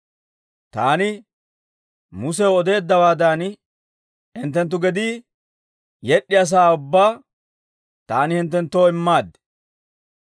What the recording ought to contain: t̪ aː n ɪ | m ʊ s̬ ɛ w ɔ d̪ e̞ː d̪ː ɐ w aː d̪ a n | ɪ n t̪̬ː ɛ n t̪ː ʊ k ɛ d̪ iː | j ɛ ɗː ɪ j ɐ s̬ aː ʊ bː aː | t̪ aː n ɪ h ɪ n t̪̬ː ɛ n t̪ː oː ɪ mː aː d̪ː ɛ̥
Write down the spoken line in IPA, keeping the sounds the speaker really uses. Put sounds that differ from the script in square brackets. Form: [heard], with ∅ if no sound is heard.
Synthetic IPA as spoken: t̪ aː n ɪ | m ʊ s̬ ɛ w ɔ d̪ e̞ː d̪ː ɐ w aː d̪ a n | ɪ n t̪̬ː ɛ n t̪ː ʊ [ɡ] ɛ d̪ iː | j ɛ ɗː ɪ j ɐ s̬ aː ʊ bː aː | t̪ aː n ɪ h ɪ n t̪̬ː ɛ n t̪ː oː ɪ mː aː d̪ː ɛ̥